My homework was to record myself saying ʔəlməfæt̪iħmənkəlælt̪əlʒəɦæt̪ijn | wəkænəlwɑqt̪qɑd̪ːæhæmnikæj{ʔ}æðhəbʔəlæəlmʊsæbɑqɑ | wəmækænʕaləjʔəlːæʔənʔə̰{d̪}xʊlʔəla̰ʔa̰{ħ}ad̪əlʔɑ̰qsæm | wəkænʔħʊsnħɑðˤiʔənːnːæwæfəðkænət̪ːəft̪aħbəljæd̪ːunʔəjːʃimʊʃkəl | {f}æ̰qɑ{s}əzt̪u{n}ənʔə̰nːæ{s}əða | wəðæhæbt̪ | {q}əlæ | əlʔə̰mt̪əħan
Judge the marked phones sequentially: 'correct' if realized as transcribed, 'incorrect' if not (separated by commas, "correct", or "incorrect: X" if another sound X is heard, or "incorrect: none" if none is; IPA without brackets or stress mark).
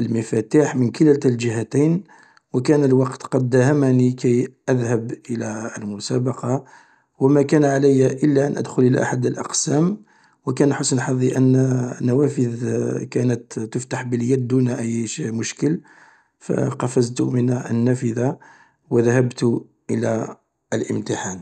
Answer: correct, correct, correct, correct, incorrect: f, incorrect: m, incorrect: f, incorrect: ʔ